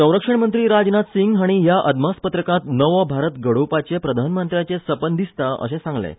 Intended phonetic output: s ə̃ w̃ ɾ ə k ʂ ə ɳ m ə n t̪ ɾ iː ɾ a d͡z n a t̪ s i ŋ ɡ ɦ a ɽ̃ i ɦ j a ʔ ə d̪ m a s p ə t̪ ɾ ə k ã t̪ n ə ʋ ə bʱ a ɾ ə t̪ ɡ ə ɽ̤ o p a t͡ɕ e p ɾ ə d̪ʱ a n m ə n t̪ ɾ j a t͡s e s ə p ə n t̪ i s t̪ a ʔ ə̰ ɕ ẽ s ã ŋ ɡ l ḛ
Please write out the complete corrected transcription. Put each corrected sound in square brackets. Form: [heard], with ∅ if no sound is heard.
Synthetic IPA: s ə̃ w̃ ɾ ə k ʂ ə ɳ m ə n t̪ ɾ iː ɾ a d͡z n a t̪ s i ŋ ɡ ɦ a ɽ̃ i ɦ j a ʔ ə d̪ m a s p ə t̪ ɾ ə k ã t̪ n ə ʋ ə bʱ a ɾ ə t̪ ɡ ə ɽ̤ o p a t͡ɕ e p ɾ ə d̪ʱ a n m ə n t̪ ɾ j a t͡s e s ə p ə n [d̪] i s t̪ a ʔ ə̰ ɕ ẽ s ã ŋ ɡ l ḛ